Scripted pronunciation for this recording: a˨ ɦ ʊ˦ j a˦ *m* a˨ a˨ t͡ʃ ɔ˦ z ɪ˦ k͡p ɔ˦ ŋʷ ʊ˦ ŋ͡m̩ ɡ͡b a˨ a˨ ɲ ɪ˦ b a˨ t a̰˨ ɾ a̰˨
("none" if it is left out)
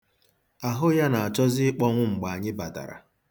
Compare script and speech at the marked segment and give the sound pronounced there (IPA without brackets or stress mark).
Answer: n